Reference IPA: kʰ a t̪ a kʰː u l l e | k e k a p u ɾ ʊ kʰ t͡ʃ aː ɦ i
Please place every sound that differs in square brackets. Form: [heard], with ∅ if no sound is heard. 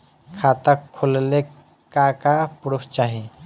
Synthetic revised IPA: kʰ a t̪ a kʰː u l l e | k [a] k a p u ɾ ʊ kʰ t͡ʃ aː ɦ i